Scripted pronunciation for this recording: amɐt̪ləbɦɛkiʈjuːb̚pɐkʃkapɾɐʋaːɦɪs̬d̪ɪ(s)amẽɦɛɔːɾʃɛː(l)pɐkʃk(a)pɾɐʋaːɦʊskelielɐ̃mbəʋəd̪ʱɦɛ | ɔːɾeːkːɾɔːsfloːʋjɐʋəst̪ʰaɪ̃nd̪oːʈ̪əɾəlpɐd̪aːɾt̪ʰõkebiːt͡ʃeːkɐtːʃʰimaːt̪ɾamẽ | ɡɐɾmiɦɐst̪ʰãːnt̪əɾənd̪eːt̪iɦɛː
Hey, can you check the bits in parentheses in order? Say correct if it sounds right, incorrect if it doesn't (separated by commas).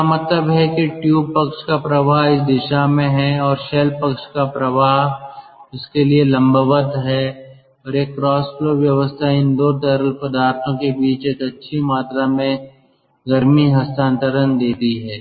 incorrect, correct, correct